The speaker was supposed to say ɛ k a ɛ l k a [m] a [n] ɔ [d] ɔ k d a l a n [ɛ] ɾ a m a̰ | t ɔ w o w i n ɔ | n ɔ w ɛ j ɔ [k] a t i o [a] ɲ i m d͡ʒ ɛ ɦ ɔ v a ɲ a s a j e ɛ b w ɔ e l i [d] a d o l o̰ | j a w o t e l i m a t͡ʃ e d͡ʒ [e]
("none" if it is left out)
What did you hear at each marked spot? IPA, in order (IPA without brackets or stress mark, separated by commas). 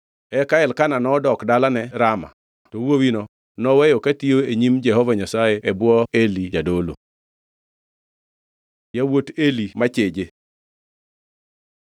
n, n, d, ɛ, k, e, d͡ʒ, e